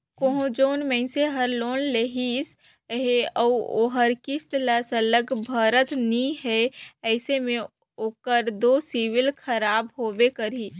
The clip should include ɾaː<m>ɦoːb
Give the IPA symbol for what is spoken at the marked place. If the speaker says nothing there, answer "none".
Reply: b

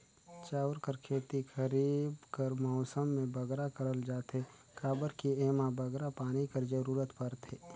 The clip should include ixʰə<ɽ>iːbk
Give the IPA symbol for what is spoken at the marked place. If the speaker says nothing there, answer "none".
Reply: ɾ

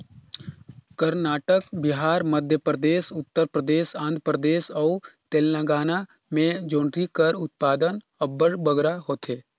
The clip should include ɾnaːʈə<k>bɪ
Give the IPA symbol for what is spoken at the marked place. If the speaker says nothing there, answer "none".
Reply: k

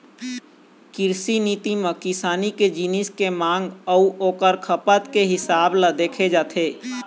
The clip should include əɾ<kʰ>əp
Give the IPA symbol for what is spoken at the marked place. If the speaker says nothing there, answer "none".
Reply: kʰ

